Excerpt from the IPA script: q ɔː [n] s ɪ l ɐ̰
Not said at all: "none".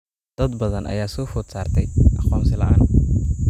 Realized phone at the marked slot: m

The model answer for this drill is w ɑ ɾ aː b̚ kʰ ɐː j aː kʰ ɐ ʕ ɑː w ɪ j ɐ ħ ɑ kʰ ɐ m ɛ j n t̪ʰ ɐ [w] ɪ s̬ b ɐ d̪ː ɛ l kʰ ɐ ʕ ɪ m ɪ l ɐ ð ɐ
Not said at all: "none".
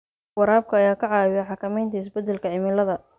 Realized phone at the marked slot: none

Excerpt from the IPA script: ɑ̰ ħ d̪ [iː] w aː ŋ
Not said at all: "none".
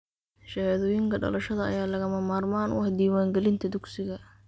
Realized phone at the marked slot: iː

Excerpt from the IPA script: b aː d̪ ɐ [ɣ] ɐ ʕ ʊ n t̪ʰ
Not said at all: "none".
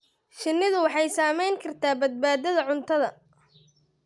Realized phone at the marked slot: ð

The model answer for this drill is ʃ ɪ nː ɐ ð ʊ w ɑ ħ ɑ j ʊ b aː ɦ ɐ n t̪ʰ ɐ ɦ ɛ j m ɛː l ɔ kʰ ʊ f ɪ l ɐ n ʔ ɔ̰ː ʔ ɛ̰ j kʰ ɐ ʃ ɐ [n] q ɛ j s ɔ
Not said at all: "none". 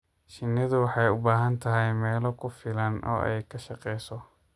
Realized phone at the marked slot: none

